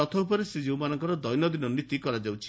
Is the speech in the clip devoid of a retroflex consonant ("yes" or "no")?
yes